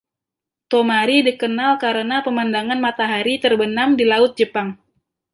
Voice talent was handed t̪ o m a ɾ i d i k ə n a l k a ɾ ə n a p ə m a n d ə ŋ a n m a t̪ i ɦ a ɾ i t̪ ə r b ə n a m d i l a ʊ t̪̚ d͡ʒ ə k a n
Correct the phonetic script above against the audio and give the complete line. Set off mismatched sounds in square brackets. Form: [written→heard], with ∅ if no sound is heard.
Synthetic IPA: t̪ o m a ɾ i d i k ə n a l k a ɾ ə n a p ə m a n d [ə→a] ŋ a n m a t̪ [i→a] ɦ a ɾ i t̪ ə r b ə n a m d i l a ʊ t̪̚ d͡ʒ ə [k→p] a [n→ŋ]